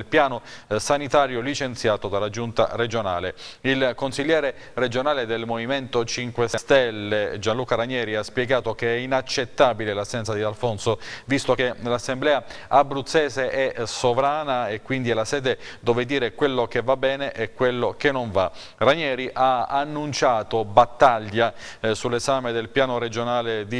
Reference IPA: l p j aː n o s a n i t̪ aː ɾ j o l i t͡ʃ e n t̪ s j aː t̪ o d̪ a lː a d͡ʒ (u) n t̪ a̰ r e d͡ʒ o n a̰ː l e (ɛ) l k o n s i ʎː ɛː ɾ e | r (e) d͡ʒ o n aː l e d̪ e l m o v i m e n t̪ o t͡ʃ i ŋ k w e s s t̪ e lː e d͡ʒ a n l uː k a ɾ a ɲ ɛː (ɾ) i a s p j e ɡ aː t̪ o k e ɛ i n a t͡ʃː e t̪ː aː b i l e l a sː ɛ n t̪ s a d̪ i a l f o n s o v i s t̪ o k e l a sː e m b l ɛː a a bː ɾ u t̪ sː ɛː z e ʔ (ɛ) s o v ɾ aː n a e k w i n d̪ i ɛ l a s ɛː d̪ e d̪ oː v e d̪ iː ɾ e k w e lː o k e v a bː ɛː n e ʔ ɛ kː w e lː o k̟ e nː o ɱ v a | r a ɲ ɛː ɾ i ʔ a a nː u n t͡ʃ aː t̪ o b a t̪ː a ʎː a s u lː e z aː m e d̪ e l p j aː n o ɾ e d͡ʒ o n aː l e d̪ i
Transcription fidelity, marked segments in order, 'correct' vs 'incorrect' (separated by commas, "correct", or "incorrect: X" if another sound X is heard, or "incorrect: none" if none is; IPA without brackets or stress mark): correct, incorrect: i, correct, correct, correct